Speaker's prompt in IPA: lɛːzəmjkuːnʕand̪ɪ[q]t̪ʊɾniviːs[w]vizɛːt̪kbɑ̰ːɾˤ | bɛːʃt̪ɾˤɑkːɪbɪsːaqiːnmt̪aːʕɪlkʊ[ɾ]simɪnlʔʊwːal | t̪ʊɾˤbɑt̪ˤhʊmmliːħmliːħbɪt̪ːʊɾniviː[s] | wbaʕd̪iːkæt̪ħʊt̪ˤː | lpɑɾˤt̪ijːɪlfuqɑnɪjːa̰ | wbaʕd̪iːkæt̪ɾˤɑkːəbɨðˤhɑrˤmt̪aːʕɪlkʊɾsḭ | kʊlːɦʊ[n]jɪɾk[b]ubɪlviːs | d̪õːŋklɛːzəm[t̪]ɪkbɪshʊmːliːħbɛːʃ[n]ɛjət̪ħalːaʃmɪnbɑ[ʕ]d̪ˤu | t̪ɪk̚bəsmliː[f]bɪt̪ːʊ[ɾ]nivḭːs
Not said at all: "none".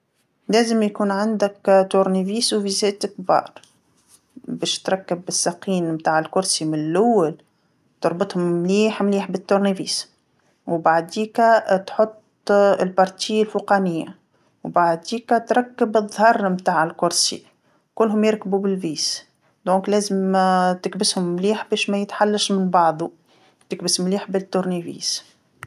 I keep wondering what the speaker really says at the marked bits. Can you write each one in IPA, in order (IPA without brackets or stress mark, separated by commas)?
k, w, ɾ, s, m, b, t̪, m, ʕ, ħ, ɾ